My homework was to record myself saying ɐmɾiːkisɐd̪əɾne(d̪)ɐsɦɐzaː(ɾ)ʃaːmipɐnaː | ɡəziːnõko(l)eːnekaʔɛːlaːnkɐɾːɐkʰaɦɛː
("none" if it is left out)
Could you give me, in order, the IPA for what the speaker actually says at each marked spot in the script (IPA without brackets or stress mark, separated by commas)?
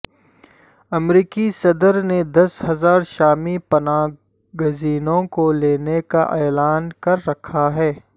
d̪, ɾ, l